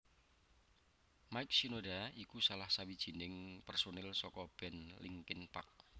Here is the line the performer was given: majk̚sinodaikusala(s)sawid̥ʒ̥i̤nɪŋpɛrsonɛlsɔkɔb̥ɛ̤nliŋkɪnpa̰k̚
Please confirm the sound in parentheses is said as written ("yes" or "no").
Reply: no